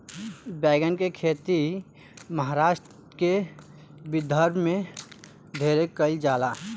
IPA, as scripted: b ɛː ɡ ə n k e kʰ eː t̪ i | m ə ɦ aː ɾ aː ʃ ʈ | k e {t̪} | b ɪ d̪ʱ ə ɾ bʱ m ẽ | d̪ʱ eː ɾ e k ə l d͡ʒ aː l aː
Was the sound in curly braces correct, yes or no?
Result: no